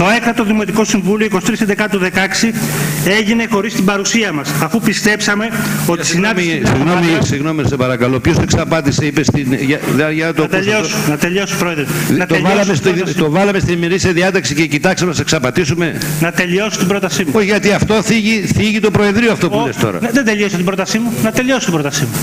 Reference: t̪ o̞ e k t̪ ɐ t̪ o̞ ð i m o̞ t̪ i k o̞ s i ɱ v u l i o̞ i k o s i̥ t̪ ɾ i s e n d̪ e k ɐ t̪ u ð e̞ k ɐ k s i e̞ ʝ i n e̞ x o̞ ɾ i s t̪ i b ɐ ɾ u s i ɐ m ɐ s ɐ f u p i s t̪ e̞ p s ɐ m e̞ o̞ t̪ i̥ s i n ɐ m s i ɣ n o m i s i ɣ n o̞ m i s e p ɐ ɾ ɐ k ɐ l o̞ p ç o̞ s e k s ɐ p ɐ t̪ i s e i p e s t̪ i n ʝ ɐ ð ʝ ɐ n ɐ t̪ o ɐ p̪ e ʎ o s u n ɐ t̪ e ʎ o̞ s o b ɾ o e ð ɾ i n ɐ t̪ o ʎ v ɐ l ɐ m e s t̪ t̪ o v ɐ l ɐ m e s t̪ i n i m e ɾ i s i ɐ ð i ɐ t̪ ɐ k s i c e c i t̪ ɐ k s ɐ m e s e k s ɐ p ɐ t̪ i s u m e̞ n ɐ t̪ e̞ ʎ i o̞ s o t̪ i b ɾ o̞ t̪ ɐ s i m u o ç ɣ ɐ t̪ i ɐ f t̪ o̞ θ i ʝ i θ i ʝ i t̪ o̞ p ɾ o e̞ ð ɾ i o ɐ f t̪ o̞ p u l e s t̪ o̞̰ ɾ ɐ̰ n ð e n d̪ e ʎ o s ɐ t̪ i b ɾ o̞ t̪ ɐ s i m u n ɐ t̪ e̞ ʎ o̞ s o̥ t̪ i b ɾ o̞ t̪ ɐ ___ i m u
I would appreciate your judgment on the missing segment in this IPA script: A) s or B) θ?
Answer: A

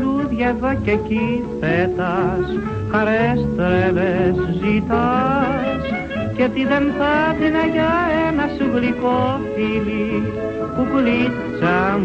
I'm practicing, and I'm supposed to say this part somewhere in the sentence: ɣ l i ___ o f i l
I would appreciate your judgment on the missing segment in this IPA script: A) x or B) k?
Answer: B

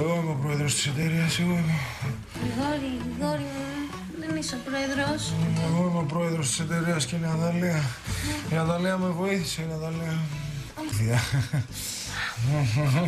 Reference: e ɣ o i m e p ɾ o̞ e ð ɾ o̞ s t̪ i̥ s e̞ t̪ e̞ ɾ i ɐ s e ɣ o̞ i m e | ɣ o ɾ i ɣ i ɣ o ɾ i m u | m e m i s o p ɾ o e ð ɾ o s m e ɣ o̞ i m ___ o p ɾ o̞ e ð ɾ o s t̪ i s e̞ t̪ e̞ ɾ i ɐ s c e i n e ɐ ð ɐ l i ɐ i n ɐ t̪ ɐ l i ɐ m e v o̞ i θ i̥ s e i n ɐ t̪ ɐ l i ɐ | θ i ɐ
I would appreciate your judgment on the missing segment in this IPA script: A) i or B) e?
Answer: B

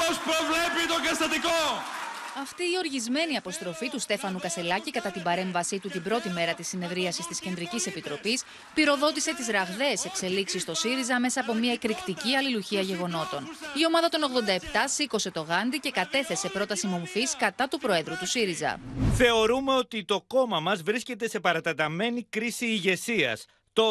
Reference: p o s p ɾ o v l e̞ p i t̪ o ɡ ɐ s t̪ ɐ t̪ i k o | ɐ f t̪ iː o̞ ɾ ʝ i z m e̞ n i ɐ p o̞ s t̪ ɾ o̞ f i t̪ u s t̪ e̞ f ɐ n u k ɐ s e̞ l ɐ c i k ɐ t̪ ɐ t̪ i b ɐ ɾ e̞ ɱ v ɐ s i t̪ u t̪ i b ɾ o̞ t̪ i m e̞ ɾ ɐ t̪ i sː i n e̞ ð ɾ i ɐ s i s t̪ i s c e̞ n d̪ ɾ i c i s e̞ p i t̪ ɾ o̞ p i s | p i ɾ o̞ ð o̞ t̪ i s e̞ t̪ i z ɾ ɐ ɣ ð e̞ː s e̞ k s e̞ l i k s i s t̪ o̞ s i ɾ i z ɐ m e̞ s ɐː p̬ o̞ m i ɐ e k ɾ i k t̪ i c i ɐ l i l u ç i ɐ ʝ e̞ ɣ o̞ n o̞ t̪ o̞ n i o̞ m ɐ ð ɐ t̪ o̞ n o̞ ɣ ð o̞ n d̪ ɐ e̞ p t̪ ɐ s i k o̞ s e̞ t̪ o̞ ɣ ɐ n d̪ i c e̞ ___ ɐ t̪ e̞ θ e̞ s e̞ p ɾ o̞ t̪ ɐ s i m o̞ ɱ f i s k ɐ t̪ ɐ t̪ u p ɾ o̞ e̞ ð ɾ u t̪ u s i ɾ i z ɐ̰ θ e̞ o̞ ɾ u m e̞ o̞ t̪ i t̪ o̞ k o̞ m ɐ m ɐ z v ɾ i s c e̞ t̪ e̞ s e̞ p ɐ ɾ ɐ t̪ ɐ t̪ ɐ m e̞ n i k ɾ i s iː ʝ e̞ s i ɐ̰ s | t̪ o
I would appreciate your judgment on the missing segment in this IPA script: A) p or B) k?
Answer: B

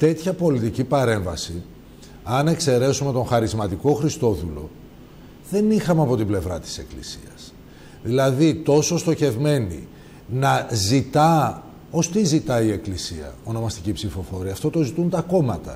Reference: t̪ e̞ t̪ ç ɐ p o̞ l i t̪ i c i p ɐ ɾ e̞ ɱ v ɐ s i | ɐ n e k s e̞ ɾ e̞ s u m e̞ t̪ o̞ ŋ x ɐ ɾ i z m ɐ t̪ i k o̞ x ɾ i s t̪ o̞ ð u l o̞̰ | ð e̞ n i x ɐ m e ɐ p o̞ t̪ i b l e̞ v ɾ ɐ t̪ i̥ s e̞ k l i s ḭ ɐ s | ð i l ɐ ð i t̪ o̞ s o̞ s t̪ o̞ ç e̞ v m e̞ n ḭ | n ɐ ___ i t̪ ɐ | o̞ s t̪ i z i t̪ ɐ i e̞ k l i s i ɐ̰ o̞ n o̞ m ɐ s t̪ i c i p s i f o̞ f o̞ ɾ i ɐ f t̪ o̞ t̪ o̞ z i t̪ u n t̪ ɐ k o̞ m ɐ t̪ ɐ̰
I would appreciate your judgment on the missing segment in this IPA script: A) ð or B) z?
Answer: B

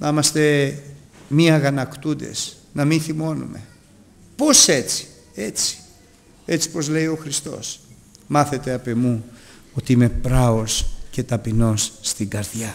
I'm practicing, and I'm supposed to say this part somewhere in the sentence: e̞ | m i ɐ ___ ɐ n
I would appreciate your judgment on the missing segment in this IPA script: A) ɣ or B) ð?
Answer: A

